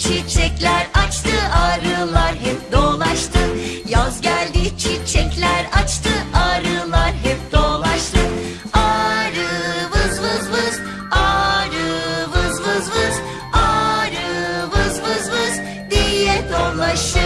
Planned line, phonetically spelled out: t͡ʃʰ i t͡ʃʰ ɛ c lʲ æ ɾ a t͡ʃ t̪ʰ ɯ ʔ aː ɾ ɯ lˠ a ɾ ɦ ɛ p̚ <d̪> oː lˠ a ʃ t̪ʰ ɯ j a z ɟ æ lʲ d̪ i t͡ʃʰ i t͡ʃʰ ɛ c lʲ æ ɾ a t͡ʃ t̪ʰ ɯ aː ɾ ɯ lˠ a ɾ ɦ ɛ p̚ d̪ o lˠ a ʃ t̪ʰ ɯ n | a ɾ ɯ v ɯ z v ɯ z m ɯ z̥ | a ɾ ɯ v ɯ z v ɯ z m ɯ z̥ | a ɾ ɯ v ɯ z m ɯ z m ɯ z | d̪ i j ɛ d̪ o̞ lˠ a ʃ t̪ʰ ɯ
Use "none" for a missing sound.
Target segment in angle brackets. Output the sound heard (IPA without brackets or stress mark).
d̪